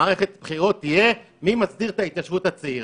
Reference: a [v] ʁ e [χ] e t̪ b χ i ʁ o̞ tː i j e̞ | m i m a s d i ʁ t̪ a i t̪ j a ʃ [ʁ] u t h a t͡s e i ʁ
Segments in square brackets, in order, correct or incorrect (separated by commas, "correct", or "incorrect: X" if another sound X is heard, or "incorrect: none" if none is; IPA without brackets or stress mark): incorrect: none, correct, incorrect: v